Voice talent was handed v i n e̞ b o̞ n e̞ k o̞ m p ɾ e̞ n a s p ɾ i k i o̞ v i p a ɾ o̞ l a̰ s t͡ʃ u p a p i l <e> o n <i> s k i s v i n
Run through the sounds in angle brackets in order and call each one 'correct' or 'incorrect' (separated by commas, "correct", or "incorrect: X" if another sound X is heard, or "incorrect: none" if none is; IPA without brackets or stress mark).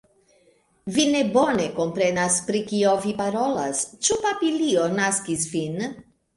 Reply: incorrect: i, incorrect: a